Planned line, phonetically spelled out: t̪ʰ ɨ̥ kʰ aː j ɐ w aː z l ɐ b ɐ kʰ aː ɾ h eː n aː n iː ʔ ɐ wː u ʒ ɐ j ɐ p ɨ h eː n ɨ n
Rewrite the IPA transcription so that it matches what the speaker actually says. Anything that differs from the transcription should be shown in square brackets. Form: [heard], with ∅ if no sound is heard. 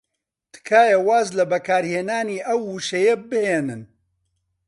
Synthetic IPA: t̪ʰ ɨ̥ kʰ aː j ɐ w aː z l ɐ b ɐ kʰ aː ɾ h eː n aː n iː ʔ ɐ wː u [ʃ] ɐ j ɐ [b] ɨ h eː n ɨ n